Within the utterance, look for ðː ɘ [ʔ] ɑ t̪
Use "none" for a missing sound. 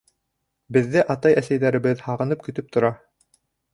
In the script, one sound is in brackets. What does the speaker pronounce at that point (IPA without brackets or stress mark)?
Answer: ʔ